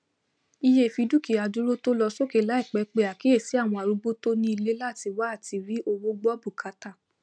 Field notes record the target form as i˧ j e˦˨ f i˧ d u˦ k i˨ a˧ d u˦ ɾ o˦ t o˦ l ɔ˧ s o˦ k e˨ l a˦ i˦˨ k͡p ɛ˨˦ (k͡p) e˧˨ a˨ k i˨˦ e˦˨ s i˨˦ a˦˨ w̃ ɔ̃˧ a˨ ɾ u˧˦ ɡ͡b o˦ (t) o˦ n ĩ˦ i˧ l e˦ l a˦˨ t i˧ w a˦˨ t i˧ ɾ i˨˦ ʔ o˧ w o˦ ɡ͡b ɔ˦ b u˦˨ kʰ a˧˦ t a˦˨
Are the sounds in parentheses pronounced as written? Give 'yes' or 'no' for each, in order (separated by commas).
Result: yes, yes